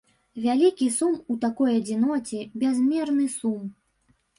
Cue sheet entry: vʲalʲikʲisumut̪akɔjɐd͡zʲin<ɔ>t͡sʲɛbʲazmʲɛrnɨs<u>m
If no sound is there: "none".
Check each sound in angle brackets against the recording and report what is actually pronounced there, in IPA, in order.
ɔ, u

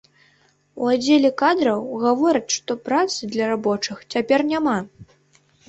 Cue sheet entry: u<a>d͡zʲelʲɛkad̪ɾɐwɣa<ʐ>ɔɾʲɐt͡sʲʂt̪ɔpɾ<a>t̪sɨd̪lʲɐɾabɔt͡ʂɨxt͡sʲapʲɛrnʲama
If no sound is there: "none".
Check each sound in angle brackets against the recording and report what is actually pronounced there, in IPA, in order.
a, v, a

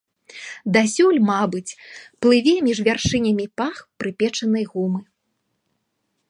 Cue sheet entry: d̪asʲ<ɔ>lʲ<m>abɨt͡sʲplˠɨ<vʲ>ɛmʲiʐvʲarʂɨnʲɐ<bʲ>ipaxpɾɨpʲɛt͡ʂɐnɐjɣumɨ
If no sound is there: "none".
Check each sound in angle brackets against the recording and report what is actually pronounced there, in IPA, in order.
u, m, vʲ, mʲ

